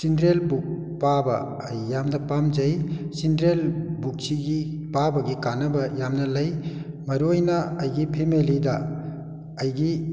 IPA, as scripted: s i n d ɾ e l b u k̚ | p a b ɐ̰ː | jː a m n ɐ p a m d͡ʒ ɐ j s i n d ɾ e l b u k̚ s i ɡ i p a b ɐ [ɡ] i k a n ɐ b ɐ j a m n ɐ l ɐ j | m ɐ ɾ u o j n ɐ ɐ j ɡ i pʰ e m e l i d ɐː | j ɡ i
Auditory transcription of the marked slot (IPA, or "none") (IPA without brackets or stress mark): ɡ